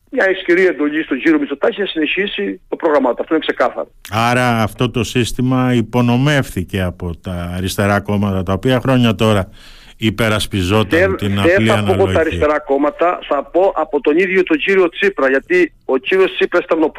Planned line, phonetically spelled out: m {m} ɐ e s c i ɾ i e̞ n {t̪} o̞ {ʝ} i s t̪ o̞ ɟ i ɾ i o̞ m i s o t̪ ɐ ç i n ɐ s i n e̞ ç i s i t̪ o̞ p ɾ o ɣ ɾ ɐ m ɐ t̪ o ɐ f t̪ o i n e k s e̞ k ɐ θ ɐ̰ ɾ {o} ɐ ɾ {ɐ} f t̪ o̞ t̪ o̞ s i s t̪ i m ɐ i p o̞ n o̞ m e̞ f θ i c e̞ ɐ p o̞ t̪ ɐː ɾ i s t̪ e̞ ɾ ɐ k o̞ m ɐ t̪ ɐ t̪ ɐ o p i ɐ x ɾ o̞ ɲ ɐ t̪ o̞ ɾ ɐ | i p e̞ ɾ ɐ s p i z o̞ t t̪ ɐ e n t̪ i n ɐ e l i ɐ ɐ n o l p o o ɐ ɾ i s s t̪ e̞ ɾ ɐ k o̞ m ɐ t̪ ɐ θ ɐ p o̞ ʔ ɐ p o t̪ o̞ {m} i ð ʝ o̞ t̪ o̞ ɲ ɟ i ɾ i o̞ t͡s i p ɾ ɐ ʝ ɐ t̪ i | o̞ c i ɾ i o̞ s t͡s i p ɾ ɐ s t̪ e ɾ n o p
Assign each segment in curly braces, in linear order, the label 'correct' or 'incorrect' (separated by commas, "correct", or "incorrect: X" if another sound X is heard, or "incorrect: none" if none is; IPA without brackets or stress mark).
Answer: incorrect: ɲ, incorrect: d̪, incorrect: ʎ, correct, incorrect: ɐː, incorrect: n